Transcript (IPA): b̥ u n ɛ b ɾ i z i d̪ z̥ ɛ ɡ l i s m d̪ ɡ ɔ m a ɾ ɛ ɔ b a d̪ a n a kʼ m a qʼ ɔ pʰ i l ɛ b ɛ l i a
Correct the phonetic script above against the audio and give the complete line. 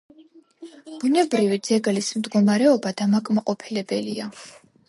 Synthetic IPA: b̥ u n ɛ b ɾ i v i d̪ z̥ ɛ ɡ l i s m d̪ ɡ ɔ m a ɾ ɛ ɔ b a d̪ a m a kʼ m a qʼ ɔ pʰ i l ɛ b ɛ l i a